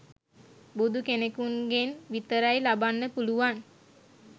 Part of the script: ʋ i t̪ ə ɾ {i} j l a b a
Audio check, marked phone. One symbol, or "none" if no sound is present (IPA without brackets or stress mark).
a